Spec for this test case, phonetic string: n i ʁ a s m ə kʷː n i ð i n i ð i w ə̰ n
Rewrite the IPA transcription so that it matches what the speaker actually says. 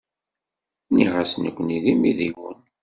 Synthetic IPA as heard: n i ʁ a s n ə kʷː n i ð i m i ð i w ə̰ n